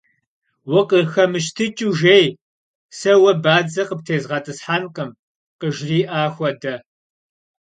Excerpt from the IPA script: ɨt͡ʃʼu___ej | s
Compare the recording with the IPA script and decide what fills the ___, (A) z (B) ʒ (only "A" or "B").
B